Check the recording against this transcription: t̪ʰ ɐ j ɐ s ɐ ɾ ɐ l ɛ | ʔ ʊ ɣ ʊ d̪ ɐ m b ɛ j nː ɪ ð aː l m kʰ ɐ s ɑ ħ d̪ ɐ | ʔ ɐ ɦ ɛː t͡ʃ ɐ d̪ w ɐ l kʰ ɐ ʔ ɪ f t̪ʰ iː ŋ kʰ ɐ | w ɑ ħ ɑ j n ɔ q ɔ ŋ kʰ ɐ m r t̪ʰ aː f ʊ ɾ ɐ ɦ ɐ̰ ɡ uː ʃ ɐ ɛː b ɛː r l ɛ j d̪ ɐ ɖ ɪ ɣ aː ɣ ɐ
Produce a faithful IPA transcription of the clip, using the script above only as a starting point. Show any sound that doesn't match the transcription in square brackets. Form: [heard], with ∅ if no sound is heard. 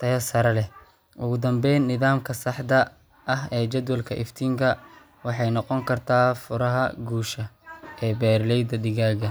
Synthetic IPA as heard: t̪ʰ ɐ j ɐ s ɐ ɾ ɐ l ɛ | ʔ ʊ ɣ ʊ d̪ ɐ m b ɛ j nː ɪ ð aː [∅] m kʰ ɐ s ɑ ħ d̪ ɐ | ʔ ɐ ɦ ɛː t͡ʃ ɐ d̪ w ɐ l kʰ ɐ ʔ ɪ f t̪ʰ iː ŋ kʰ ɐ | w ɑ ħ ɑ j n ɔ q ɔ ŋ kʰ ɐ [∅] r t̪ʰ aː f ʊ ɾ ɐ ɦ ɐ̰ ɡ uː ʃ ɐ ɛː b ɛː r l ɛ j d̪ ɐ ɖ ɪ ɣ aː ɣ ɐ